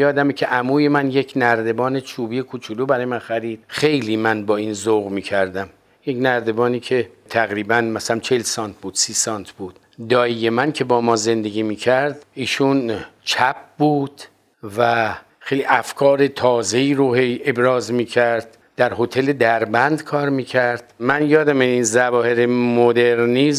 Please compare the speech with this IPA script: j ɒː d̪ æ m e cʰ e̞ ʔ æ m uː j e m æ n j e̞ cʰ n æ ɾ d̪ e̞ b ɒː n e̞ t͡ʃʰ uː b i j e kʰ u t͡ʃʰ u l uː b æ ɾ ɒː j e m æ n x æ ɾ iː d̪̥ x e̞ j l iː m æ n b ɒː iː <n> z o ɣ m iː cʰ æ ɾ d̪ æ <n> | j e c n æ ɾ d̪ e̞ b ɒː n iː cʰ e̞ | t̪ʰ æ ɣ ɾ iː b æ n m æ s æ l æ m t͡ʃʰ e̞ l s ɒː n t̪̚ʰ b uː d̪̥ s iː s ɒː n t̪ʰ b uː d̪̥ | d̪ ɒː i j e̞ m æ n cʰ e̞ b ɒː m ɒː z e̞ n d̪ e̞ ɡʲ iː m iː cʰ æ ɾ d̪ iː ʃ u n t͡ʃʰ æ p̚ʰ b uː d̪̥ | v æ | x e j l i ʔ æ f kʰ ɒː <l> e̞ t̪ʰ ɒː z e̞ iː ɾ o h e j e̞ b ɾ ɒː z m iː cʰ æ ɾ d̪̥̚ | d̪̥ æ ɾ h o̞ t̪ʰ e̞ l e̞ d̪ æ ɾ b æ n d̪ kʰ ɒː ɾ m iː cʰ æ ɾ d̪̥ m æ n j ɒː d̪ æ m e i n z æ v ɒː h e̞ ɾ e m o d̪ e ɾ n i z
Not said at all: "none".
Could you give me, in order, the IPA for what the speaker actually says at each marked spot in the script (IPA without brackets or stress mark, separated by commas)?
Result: n, m, ɾ